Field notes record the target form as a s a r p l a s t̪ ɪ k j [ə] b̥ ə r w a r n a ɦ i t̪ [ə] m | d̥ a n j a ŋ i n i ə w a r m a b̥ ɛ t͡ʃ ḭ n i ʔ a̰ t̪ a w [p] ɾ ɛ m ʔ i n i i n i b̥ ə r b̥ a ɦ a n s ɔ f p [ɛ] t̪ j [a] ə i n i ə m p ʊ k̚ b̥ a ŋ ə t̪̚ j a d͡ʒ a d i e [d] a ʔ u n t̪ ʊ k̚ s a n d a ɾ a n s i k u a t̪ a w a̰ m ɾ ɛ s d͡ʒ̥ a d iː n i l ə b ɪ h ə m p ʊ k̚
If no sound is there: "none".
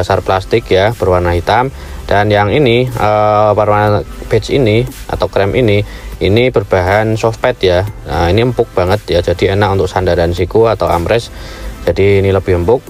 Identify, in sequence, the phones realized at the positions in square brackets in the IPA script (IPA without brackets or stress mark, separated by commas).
a, a, k, ɛ, a, n